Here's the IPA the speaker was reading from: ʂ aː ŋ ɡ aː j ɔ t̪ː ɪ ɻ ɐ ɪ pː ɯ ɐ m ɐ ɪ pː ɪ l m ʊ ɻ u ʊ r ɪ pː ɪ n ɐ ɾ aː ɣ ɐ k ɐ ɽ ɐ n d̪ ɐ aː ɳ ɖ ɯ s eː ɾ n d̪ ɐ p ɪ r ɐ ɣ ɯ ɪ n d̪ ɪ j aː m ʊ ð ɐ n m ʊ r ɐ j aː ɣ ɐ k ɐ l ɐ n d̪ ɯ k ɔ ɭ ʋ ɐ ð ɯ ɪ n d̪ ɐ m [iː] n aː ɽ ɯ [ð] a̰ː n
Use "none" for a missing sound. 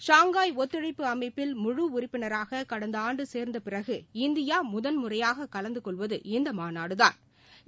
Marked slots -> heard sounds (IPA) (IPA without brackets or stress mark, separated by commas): aː, ð